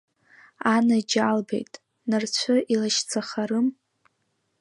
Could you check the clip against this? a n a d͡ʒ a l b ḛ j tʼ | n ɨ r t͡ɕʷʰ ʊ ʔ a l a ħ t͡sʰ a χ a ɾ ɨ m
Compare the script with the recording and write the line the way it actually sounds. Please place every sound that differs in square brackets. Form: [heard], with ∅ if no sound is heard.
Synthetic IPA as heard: a n a d͡ʒ a l b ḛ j tʼ | n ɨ r t͡ɕʷʰ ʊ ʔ [i] l a [ʃ] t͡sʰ a χ a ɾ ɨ m